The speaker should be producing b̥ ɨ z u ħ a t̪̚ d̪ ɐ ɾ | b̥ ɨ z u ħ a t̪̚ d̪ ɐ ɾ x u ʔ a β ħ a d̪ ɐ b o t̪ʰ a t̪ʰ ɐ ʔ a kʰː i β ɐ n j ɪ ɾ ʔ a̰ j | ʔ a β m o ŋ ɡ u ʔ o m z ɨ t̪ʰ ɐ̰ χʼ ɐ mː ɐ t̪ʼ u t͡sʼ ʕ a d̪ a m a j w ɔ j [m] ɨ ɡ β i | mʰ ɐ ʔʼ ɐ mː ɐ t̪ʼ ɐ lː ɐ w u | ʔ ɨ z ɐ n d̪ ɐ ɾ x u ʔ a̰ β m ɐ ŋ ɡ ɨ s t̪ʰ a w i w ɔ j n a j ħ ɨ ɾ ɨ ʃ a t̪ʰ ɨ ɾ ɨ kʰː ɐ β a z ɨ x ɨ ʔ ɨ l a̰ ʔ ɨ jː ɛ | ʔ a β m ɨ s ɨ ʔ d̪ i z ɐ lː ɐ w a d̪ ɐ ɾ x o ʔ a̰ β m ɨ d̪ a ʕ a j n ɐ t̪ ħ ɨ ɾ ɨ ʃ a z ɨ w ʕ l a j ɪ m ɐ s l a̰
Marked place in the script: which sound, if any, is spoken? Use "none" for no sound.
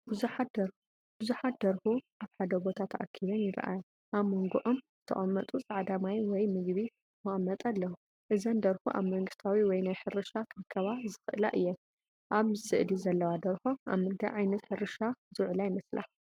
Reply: m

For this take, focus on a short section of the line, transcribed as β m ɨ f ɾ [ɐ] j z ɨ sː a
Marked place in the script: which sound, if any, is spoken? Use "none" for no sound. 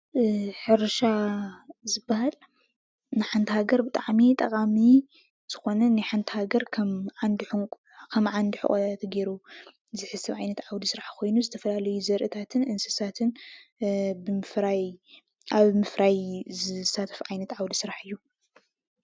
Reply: a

